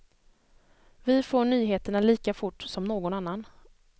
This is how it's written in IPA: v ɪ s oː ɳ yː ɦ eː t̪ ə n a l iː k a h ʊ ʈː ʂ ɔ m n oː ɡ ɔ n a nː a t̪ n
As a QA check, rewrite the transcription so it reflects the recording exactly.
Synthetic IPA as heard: v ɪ f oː ɳ yː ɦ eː t̪ ə ɳ a l iː k a f ʊ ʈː s ɔ m n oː ɡ ɔ n a nː a n